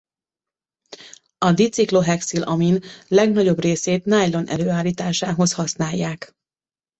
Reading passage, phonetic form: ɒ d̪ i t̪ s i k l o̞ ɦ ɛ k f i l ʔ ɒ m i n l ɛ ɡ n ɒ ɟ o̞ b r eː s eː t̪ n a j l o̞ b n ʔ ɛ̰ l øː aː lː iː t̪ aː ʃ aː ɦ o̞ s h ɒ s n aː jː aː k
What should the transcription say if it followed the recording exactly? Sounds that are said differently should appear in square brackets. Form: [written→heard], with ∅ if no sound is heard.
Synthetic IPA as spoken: ɒ d̪ i t̪ s i k l o̞ ɦ ɛ k [f→s] i l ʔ ɒ m i n l ɛ ɡ n ɒ ɟ o̞ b r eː s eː t̪ n a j l o̞ [b→∅] n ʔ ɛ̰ l øː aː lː iː t̪ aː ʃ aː ɦ o̞ s h ɒ s n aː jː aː k